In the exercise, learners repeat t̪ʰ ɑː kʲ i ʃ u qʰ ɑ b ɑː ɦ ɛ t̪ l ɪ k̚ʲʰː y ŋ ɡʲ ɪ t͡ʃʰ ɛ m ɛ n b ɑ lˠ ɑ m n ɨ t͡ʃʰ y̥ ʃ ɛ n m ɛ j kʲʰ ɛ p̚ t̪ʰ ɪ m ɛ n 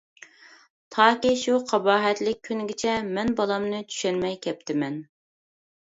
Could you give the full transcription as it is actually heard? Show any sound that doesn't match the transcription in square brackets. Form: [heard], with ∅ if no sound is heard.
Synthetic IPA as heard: t̪ʰ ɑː kʲ i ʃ u qʰ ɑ b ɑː ɦ ɛ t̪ l ɪ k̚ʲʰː y [n] ɡʲ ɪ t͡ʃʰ ɛ m ɛ n b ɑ lˠ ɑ m n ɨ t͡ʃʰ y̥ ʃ ɛ n m ɛ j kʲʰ ɛ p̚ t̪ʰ ɪ m ɛ n